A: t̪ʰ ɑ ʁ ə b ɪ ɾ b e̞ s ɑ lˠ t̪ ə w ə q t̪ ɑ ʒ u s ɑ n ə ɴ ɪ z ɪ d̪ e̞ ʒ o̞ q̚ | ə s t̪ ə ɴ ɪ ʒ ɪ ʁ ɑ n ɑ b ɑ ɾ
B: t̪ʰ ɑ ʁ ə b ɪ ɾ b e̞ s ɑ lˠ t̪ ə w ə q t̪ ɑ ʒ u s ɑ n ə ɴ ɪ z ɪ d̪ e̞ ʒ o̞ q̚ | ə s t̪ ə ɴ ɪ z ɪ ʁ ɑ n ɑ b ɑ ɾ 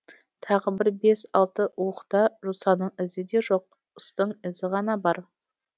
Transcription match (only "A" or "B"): B